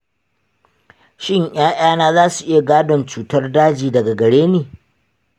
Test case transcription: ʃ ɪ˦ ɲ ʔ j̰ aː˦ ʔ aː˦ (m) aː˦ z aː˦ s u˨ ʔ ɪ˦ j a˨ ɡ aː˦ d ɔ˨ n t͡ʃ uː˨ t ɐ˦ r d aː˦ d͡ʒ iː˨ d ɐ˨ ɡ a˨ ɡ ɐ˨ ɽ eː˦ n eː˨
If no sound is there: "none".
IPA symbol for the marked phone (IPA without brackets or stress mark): n